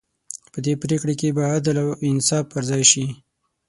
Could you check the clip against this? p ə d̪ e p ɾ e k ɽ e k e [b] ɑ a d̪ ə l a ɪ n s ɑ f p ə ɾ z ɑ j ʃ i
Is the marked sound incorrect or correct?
correct